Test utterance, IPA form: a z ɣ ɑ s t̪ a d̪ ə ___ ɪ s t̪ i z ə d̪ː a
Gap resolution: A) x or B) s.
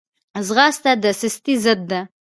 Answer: B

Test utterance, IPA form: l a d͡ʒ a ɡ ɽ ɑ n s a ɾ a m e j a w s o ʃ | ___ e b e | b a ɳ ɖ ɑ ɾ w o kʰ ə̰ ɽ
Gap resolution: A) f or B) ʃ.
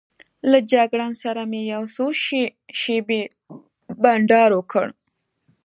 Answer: B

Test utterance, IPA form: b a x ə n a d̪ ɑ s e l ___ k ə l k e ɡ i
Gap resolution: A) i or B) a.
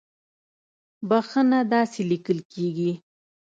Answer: A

